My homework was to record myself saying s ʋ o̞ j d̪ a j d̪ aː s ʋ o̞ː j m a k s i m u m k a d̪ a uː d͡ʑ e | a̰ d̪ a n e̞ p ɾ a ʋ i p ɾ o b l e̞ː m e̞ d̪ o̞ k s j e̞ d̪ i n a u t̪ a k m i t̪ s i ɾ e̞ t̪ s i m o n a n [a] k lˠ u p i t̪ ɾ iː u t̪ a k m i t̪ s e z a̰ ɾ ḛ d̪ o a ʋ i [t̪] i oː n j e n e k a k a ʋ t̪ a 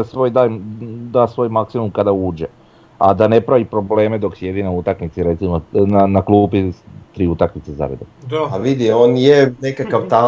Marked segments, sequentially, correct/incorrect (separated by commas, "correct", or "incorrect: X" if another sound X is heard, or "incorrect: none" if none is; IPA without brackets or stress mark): correct, incorrect: d̪